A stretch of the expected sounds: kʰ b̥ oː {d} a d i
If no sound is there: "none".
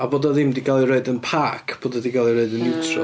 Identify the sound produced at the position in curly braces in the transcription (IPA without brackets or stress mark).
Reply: d